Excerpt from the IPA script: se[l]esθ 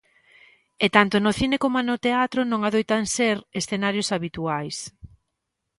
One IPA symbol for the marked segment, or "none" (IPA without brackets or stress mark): ɾ